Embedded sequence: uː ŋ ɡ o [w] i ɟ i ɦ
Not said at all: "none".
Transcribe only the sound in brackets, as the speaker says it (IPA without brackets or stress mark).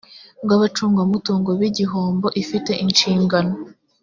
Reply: β